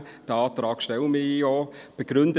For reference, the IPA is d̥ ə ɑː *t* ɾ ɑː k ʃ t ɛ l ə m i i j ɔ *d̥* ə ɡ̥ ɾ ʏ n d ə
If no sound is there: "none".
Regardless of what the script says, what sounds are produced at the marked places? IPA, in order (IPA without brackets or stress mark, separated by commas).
t, b̥